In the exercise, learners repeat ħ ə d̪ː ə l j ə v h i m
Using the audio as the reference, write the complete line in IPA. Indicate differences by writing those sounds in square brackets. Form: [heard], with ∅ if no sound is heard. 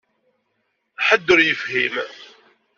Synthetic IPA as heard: ħ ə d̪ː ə [ɾ] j ə [f] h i m

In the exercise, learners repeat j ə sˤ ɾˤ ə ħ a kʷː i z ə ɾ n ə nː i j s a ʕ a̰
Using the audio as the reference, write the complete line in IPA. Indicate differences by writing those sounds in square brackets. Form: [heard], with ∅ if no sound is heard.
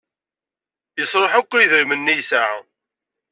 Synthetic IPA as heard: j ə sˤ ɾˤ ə ħ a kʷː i [ð] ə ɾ [m] ə nː i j s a ʕ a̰

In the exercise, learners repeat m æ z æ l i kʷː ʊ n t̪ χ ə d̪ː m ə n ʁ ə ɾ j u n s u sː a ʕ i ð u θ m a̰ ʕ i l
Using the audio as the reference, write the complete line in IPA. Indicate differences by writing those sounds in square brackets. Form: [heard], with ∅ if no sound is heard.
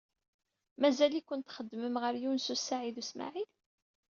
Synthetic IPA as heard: m æ z æ l i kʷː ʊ n t̪ χ ə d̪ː m ə [m] ʁ ə ɾ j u n s u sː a ʕ i ð u [s] m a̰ ʕ i l

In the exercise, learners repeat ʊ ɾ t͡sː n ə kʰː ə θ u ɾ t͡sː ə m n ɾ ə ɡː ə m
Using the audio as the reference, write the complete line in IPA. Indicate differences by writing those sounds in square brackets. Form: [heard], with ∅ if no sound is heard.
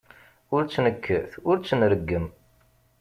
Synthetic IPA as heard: ʊ ɾ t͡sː n ə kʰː ə θ [ʊ] ɾ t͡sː ə [∅] n ɾ ə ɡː ə m

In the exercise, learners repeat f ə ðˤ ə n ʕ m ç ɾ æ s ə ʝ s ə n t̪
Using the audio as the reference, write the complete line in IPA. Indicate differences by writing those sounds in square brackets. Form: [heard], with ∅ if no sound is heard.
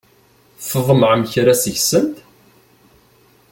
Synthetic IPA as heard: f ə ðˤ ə [m] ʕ m ç ɾ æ s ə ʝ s ə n t̪

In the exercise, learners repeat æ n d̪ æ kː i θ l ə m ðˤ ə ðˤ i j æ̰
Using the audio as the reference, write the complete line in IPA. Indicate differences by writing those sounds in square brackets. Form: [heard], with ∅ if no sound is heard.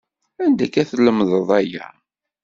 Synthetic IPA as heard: æ n d̪ æ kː [æ] θ l ə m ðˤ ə ðˤ [æ] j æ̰

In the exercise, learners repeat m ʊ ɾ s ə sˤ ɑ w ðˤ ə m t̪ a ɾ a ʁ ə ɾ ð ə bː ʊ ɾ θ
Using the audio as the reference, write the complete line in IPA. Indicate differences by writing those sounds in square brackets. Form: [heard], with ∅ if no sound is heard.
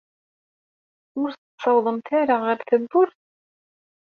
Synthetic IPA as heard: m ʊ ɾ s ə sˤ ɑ w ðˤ ə m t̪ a ɾ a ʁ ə ɾ [θ] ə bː ʊ ɾ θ

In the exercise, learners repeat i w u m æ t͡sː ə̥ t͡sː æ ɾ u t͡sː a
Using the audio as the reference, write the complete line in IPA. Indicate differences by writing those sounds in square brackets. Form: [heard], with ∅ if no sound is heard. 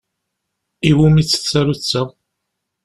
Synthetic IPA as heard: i w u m [i] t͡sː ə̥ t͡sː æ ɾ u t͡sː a

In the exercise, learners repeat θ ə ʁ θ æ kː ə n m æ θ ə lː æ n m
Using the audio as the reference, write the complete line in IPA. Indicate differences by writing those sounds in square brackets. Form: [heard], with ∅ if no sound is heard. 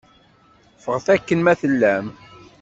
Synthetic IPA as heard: [f] ə ʁ θ æ kː ə n m æ θ ə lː æ [∅] m

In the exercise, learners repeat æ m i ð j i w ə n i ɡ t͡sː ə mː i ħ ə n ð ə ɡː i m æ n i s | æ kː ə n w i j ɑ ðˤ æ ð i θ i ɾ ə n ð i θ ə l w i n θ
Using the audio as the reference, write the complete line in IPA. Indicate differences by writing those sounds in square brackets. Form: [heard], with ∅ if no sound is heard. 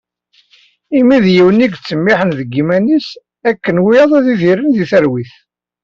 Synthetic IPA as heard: [i] m i ð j i w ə n i ɡ t͡sː ə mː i ħ ə n ð ə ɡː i m æ n i s | æ kː ə n w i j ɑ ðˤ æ ð i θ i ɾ ə n ð i θ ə [ɾ] w i [∅] θ

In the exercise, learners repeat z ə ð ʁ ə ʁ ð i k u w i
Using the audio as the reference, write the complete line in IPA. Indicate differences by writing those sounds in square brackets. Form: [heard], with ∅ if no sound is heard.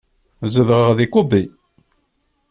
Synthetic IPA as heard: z ə ð ʁ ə ʁ ð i k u [b] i

